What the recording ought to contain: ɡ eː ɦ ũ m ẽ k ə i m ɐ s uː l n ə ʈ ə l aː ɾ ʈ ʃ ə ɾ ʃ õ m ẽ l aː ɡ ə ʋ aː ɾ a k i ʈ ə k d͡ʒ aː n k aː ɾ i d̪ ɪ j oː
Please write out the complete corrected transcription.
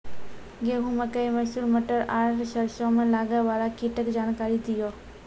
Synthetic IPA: ɡ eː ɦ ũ m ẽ k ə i m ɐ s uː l m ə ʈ ə ɾ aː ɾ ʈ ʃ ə ɾ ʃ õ m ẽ l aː ɡ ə ʋ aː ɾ a k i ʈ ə k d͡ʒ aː n k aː ɾ i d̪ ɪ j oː